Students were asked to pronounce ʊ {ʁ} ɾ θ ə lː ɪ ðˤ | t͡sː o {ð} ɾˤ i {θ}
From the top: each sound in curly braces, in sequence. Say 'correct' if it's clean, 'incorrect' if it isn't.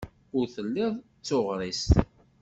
incorrect, incorrect, incorrect

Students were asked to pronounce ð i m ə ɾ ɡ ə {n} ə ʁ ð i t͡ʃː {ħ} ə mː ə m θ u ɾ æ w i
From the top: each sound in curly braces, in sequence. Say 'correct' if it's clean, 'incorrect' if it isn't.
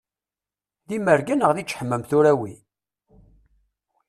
correct, correct

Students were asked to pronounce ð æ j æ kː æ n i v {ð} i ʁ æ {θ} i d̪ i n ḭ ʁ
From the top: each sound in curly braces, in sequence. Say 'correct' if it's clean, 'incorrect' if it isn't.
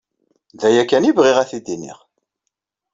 incorrect, correct

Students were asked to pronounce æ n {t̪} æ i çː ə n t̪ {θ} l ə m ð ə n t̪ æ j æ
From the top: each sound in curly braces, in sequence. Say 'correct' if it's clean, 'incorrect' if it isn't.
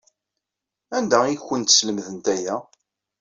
incorrect, incorrect

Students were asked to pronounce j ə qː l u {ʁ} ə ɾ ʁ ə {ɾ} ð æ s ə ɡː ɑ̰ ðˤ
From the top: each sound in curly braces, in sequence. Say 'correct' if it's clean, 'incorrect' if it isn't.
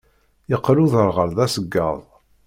incorrect, correct

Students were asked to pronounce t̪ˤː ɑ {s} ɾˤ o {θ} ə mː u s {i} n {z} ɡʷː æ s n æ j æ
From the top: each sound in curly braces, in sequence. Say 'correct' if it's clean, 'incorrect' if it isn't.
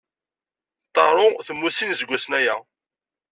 incorrect, correct, correct, correct

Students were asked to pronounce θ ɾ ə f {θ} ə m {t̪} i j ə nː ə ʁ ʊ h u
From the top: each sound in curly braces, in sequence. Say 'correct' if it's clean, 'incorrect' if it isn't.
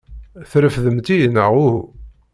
incorrect, correct

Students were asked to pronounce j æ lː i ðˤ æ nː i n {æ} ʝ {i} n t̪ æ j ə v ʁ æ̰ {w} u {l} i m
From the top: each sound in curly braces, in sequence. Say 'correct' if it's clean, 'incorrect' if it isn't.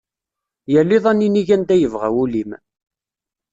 incorrect, incorrect, correct, correct

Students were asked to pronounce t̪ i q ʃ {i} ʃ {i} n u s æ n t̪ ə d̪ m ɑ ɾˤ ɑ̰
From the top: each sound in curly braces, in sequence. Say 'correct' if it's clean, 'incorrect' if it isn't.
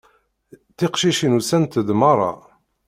correct, correct

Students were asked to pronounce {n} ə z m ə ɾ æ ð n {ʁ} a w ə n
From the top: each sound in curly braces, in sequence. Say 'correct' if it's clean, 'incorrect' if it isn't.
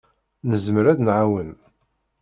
correct, incorrect

